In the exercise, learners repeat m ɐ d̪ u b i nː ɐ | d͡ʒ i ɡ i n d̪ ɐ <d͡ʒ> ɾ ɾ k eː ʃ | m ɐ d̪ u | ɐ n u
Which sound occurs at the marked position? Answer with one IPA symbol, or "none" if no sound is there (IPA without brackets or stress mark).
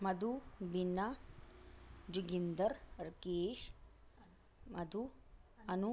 none